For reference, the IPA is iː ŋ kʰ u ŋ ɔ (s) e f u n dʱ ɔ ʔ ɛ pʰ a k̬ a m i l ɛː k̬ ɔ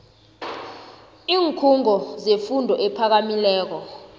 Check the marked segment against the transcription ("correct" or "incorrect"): incorrect